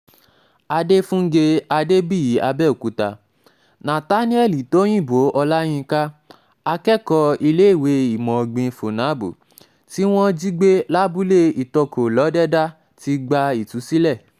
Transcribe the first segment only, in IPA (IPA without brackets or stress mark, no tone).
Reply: a